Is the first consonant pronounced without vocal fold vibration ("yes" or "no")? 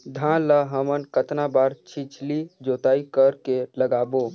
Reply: no